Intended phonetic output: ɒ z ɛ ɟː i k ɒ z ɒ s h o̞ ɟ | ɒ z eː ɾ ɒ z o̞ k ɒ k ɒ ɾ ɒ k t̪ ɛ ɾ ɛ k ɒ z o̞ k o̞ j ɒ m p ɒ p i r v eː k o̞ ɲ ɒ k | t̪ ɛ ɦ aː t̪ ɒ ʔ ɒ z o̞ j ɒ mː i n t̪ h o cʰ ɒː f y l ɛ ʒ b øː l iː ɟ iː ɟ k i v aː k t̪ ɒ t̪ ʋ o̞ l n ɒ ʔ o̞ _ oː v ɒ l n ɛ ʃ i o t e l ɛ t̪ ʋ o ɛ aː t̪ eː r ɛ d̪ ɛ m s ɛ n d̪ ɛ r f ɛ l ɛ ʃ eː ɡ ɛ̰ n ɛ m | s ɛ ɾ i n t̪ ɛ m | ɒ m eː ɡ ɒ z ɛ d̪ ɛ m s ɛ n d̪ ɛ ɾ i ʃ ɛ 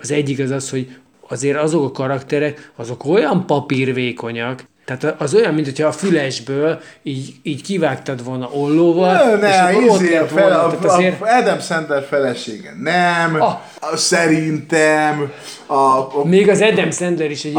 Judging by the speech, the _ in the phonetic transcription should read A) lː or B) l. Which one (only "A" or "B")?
A